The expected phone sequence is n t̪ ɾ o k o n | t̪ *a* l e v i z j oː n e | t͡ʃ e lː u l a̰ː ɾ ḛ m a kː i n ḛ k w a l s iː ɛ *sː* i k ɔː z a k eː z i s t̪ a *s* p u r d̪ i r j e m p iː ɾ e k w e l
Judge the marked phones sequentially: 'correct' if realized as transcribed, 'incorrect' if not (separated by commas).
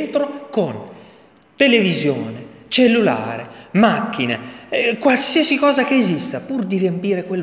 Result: incorrect, incorrect, incorrect